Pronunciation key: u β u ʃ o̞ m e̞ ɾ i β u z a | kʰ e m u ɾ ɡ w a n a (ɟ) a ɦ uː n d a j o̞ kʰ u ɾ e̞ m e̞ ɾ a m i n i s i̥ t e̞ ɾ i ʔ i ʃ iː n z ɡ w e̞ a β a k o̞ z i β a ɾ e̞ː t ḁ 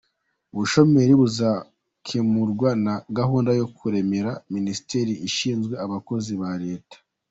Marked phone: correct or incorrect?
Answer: incorrect